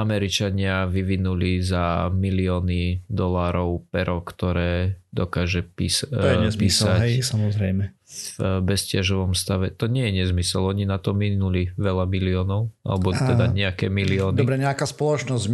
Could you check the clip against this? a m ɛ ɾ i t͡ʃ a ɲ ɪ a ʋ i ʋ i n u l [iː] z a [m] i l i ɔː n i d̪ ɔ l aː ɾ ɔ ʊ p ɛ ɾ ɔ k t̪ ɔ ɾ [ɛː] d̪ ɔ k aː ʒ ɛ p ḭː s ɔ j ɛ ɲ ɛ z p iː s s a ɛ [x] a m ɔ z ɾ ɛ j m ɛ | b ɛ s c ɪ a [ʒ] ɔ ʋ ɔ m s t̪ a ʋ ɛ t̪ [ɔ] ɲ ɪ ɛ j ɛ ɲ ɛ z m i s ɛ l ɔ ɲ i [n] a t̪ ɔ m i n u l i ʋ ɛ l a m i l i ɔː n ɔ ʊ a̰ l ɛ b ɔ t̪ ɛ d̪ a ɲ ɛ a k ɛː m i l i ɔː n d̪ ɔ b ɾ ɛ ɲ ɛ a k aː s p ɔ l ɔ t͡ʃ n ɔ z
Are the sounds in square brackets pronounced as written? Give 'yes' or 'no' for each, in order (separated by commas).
no, yes, yes, no, yes, yes, yes